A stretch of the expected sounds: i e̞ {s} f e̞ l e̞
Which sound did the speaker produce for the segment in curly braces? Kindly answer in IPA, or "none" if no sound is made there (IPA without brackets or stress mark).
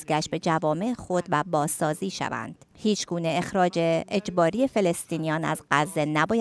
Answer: none